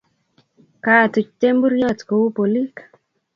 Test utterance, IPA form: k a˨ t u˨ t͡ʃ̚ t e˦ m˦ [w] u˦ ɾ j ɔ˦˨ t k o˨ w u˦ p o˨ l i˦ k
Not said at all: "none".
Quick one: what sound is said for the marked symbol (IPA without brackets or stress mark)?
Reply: b